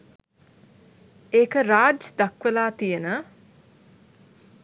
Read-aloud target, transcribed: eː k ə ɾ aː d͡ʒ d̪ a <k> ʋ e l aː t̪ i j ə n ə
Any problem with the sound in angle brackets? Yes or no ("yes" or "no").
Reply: no